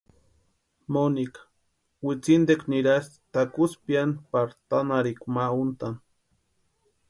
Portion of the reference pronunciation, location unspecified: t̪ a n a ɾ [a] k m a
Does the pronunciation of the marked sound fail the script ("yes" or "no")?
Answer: yes